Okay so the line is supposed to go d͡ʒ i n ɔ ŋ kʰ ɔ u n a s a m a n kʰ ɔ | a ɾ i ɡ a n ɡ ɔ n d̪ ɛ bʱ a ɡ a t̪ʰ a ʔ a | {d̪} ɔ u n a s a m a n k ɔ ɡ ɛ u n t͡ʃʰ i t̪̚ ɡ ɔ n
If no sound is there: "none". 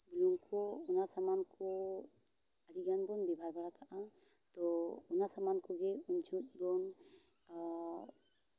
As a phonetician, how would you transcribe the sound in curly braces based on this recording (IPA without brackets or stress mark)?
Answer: t̪